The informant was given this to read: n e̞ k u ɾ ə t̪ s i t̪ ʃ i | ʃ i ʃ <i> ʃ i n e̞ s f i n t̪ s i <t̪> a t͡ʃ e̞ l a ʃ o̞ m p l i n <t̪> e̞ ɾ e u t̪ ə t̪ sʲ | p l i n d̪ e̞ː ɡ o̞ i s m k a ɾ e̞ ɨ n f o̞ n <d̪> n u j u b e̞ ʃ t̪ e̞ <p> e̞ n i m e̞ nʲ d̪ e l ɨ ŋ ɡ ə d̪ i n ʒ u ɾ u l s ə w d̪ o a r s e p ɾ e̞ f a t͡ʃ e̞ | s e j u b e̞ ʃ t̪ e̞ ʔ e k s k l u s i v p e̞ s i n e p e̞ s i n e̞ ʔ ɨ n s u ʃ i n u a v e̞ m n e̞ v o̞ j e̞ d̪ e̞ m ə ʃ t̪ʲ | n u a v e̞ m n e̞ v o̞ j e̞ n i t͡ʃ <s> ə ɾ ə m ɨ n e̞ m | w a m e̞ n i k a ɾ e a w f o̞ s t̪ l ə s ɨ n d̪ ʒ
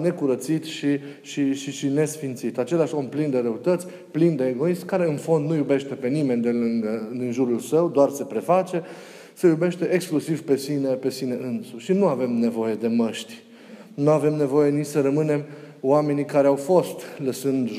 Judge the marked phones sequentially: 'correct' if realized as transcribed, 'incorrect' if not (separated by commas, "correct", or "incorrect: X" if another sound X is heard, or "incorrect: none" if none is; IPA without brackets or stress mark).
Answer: correct, correct, incorrect: d̪, correct, correct, correct